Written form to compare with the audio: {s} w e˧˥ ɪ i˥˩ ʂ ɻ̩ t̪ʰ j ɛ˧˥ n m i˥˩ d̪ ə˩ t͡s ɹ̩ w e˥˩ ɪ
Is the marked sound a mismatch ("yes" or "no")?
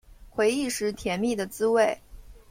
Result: yes